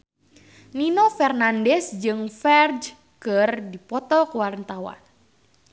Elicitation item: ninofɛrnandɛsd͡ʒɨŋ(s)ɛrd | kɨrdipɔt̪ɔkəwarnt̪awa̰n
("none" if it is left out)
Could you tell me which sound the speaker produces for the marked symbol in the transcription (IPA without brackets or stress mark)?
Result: f